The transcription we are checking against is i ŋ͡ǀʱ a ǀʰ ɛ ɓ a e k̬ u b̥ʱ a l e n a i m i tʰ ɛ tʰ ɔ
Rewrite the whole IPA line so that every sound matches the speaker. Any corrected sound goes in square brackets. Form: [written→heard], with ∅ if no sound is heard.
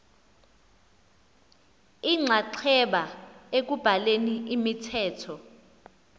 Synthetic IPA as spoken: i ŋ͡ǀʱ a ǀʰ ɛ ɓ a e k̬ u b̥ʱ a l e n [a→i] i m i tʰ [ɛ→ɛː] tʰ ɔ